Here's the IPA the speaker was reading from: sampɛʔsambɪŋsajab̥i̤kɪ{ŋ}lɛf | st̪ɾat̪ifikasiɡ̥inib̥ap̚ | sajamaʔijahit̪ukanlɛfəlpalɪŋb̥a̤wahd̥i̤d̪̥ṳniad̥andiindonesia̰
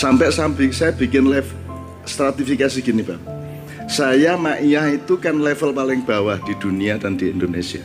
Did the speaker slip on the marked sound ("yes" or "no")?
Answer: yes